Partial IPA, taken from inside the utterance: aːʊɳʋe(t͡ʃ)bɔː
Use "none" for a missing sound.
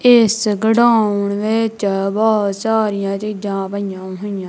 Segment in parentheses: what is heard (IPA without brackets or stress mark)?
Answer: t͡ʃ